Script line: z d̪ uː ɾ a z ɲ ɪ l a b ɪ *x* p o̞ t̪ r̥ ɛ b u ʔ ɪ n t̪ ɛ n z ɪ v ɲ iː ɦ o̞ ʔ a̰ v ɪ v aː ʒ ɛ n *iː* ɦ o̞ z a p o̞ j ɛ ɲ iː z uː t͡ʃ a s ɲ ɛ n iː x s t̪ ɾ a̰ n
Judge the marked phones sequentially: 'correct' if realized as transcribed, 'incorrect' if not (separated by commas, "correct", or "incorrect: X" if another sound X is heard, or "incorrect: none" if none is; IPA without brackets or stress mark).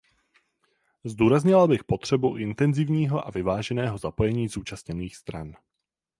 correct, incorrect: ɛː